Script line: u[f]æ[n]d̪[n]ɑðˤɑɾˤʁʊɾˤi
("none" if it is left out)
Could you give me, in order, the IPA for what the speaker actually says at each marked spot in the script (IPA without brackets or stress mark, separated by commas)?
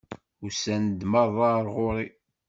s, n, m